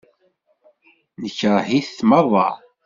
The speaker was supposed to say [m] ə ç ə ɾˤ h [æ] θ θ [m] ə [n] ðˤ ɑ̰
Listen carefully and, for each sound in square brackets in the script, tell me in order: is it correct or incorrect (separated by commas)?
incorrect, incorrect, correct, incorrect